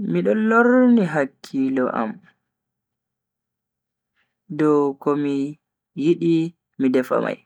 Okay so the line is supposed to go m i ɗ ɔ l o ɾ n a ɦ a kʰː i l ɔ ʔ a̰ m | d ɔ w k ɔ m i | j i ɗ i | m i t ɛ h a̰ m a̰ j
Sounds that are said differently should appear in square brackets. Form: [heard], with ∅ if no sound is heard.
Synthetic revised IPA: m i ɗ ɔ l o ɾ n [i] ɦ a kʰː i l ɔ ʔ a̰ m | d ɔ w k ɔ m i | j i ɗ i | m i [d] ɛ [f] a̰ m a̰ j